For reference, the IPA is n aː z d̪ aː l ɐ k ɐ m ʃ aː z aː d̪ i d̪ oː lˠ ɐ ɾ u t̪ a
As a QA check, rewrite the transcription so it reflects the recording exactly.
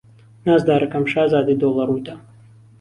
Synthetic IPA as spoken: n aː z d̪ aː ɾ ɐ k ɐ m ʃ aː z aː d̪ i d̪ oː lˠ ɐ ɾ u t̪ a